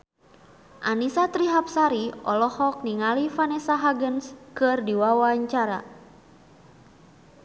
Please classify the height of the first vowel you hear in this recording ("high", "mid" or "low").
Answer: low